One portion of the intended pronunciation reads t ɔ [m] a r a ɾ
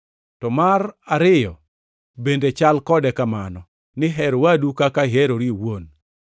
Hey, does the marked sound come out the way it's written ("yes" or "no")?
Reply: yes